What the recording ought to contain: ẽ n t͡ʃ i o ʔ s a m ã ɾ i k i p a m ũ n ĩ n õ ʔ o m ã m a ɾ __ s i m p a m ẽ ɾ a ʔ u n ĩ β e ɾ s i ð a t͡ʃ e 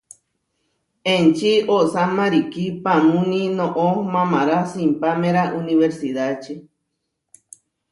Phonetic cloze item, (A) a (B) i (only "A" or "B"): A